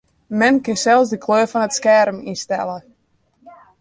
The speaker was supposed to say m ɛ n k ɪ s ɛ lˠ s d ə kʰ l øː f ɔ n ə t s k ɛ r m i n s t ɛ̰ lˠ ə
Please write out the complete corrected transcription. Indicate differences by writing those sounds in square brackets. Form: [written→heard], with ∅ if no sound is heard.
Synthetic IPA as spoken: m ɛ n k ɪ s ɛ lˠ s d ə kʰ l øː f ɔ n ə t s k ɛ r m i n s t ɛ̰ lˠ ə

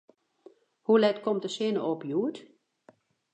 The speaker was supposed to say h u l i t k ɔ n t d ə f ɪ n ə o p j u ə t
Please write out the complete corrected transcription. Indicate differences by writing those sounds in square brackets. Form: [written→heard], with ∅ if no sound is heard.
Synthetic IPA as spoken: h u l [i→ɛ] t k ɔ [n→m] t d ə [f→s] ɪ n ə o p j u ə t

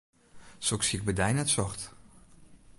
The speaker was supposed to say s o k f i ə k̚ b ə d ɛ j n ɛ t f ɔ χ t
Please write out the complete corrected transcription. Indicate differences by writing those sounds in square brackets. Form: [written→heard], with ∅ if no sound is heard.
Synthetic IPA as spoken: s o k [f→s] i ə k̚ b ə d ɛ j n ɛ t [f→s] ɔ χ t

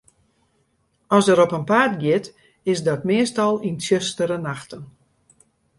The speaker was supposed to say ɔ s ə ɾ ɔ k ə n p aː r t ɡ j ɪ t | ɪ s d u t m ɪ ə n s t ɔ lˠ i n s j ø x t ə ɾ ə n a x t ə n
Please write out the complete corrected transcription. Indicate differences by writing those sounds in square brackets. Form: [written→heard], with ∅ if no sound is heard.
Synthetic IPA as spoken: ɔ s ə ɾ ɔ [k→p] ə n p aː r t ɡ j ɪ t | ɪ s d [u→ɔ] t m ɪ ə [n→∅] s t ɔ lˠ i n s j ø [x→s] t ə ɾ ə n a x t ə n

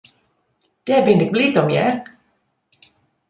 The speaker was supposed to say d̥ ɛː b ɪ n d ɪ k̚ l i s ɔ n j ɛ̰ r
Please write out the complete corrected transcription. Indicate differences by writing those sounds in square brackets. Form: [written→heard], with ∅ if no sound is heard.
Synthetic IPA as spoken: d̥ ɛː b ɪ n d ɪ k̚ l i [s→t] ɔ [n→m] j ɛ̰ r

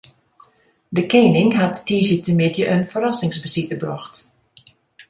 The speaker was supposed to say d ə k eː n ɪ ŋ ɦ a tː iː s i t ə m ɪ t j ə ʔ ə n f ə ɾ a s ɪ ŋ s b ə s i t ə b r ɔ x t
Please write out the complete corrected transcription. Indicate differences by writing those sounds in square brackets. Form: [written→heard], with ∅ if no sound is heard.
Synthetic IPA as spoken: d ə k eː n ɪ ŋ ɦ a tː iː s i t ə m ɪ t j ə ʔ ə n f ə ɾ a s ɪ ŋ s b ə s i t ə b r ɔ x t

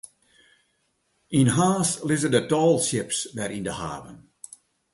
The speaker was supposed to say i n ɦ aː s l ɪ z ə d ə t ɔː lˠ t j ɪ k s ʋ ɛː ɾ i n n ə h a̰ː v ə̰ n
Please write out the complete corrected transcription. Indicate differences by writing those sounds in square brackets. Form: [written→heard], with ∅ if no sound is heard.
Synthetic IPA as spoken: i n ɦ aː s l ɪ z ə d ə t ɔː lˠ [t→s] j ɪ [k→p] s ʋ [ɛː→ɛ] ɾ i n [n→d] ə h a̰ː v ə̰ n

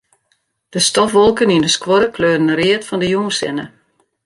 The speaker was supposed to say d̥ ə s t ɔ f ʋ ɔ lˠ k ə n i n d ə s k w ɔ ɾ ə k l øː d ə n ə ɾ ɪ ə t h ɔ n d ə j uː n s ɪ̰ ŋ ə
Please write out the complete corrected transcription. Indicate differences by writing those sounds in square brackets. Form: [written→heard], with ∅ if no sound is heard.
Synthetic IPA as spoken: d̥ ə s t ɔ f ʋ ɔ lˠ k ə n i n d ə s k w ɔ ɾ ə k l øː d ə n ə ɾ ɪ ə t [h→f] ɔ n d ə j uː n s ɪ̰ [ŋ→n] ə

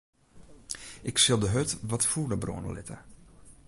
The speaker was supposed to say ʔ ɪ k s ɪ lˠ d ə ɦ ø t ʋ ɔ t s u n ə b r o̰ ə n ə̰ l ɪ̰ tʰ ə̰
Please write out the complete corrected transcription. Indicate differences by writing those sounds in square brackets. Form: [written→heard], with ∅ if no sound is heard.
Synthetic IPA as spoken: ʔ ɪ k s ɪ lˠ d ə ɦ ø t ʋ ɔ t [s→f] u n ə b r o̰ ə n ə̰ l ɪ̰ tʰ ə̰

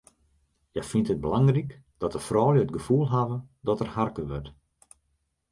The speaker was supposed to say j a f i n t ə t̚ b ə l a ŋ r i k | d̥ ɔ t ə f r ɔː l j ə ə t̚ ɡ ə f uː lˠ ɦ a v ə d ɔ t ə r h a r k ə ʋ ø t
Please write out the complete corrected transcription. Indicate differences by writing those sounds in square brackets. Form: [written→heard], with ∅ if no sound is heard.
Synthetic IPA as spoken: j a f i n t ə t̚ b ə l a ŋ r i k | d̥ ɔ t ə f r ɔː l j ə ə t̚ ɡ ə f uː lˠ ɦ a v ə d ɔ t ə r h a r k ə ʋ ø t

